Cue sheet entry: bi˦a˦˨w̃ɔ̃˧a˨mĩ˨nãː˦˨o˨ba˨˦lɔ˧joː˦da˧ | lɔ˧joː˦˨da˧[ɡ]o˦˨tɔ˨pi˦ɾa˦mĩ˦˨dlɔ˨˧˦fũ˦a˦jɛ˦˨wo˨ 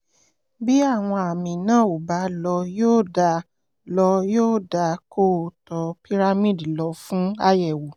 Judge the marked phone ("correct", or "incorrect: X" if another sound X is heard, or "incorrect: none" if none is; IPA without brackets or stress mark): incorrect: k